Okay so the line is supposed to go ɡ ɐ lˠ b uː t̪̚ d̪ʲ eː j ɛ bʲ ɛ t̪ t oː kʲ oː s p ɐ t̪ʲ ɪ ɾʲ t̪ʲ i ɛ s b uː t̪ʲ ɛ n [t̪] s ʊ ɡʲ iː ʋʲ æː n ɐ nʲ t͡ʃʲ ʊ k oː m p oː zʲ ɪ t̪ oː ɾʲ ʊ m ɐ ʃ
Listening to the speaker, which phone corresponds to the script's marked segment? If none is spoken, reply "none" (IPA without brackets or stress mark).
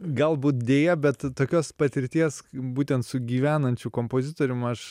t̪